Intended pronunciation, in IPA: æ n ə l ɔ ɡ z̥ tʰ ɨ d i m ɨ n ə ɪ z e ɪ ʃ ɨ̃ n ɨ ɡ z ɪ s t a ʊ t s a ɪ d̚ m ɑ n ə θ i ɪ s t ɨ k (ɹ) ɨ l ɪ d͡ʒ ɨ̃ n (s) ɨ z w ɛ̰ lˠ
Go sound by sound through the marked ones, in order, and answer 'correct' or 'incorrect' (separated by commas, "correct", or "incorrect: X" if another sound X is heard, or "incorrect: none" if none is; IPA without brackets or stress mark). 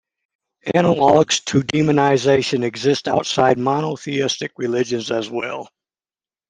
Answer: correct, incorrect: z